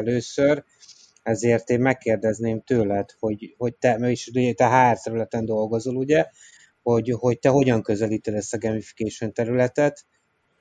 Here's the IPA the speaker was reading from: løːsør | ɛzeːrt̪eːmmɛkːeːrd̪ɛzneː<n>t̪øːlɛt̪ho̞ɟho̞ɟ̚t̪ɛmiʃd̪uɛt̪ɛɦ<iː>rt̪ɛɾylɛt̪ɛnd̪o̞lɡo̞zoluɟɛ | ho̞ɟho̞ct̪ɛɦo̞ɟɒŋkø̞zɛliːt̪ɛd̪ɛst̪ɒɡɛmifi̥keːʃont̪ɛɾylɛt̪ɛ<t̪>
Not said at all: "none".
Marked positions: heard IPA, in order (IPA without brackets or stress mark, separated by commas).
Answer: m, aː, t̪